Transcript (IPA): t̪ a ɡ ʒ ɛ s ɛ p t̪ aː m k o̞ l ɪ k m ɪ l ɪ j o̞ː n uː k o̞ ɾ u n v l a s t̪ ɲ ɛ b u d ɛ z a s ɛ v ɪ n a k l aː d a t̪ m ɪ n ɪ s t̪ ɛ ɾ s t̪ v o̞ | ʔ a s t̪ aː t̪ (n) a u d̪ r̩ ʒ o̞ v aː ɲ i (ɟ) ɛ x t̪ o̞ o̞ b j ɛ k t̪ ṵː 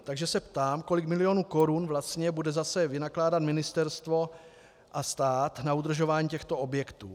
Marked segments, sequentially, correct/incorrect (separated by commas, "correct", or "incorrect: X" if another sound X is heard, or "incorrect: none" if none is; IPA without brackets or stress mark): correct, incorrect: c